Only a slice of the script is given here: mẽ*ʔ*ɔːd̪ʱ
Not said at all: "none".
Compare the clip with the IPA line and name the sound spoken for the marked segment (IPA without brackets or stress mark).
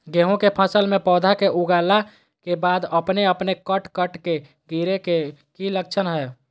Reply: p